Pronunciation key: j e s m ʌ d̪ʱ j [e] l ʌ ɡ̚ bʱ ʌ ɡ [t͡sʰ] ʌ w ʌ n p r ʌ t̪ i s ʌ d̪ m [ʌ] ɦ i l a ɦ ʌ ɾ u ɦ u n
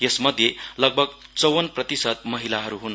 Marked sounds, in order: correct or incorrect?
correct, incorrect, correct

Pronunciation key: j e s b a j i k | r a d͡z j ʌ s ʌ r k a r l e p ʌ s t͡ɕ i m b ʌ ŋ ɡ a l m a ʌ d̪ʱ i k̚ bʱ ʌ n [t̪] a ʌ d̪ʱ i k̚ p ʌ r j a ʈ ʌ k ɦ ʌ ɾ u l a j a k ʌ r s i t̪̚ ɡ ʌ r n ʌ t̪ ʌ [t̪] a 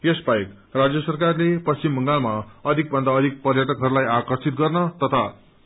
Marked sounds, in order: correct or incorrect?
incorrect, incorrect

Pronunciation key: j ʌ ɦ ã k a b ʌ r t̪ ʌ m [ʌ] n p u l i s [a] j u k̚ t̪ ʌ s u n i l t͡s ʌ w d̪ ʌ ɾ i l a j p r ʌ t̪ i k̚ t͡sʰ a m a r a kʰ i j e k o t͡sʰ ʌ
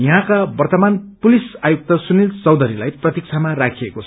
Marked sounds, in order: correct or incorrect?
incorrect, correct

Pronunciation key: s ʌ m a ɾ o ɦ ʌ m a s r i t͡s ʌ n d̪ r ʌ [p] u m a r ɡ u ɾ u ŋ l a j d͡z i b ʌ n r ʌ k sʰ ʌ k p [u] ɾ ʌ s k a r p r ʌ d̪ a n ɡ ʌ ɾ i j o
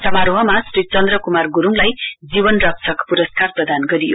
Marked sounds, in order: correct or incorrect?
incorrect, correct

